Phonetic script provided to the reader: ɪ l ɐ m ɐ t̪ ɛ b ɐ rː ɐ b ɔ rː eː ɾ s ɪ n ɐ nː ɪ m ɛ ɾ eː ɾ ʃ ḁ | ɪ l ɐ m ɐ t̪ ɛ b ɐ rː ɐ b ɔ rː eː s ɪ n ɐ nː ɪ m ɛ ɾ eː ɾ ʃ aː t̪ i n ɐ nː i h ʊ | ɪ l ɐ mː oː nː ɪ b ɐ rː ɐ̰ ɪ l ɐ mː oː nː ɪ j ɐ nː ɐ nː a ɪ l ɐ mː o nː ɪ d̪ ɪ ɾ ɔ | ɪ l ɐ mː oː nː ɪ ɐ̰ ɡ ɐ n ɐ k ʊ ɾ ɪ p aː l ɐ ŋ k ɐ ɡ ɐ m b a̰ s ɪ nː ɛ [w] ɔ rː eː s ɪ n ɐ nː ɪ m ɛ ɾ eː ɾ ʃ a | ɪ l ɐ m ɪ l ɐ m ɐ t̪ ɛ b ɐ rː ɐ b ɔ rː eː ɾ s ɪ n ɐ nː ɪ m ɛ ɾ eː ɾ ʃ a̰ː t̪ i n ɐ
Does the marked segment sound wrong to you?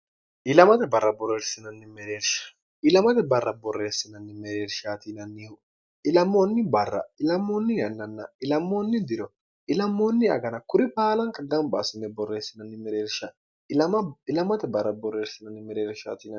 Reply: yes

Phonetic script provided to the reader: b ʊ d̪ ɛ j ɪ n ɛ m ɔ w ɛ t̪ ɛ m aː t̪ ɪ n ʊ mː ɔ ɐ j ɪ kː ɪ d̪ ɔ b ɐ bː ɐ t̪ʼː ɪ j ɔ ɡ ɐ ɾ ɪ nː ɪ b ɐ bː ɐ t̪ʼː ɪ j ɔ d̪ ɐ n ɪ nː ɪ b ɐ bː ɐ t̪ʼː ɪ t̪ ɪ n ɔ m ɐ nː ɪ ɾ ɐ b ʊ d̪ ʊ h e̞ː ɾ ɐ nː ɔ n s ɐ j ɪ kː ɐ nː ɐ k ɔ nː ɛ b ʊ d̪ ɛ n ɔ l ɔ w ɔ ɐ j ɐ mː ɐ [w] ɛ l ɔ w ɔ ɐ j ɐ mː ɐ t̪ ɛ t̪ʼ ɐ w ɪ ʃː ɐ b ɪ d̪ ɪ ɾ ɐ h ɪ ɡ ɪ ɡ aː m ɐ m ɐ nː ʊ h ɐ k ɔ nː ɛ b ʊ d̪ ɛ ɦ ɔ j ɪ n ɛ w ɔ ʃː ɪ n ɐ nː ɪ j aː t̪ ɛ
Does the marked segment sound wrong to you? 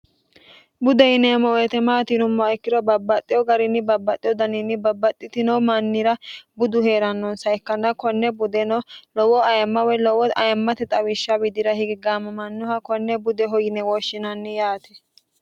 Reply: no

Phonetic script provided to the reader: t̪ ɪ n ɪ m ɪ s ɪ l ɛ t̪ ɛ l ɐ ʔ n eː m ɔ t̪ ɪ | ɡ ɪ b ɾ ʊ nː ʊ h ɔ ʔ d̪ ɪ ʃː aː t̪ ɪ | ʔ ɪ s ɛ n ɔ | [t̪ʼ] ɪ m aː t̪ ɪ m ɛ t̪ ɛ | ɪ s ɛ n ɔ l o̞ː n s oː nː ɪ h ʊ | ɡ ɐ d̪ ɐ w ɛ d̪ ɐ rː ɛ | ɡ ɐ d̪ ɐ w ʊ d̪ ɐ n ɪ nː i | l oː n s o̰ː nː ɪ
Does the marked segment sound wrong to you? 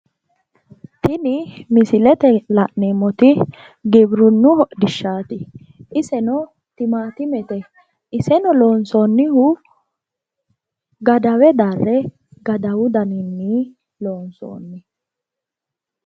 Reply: yes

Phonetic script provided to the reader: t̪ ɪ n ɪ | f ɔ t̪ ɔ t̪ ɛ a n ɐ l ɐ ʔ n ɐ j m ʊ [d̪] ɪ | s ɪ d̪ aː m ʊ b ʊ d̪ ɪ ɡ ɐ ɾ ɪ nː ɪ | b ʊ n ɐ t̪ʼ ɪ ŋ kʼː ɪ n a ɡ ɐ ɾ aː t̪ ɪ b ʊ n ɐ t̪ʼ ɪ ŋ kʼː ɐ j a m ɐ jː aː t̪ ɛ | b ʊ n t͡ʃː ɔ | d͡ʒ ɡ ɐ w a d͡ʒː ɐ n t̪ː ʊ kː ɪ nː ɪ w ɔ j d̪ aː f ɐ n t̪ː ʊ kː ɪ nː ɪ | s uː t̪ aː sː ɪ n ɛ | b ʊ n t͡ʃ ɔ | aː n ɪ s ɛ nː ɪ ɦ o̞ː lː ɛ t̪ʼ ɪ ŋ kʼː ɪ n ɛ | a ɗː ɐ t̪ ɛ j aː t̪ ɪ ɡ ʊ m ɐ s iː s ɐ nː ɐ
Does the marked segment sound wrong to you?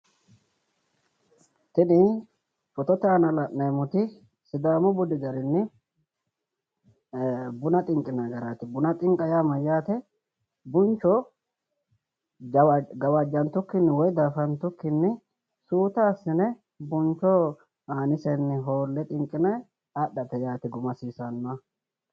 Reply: yes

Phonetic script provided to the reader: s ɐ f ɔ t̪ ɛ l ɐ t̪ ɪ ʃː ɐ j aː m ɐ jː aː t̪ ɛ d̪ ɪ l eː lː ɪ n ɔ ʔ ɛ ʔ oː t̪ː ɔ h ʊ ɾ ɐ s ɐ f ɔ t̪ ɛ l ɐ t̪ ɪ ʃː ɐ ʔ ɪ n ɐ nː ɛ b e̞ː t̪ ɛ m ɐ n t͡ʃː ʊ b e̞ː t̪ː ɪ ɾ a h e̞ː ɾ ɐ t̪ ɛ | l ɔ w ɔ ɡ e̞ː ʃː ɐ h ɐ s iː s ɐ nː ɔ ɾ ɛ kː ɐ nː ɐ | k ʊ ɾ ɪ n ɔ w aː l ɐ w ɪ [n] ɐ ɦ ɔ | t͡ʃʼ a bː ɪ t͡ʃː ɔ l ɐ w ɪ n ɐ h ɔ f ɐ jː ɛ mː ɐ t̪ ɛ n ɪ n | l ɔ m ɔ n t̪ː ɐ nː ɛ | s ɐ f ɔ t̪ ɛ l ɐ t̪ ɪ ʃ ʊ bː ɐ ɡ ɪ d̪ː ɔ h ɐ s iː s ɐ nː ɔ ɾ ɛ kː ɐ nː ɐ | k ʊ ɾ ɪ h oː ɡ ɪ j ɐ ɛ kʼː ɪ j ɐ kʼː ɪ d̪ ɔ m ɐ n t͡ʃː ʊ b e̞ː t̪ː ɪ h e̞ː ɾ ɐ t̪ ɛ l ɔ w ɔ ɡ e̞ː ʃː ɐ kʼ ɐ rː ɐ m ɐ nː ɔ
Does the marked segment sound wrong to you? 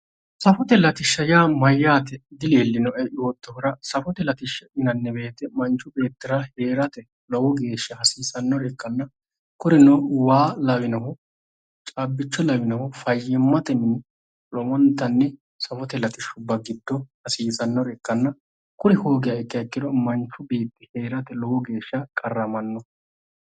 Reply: no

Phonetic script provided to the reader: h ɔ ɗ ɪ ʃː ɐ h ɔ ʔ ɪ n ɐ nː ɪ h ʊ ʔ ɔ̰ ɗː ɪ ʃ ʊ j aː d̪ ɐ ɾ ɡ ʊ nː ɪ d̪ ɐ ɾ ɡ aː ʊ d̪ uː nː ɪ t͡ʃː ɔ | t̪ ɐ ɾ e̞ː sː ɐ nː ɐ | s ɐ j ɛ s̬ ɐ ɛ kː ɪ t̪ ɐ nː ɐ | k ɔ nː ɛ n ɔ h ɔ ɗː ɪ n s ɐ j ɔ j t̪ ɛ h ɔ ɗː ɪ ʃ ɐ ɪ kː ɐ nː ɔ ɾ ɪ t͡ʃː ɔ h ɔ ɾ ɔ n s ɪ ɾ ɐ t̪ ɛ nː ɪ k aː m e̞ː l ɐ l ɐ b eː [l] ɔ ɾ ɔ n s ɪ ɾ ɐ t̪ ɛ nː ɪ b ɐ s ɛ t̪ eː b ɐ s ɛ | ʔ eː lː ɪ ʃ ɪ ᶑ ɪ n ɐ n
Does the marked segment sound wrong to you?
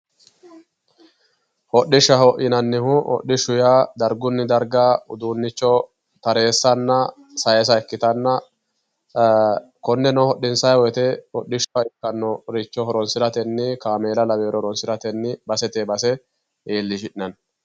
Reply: yes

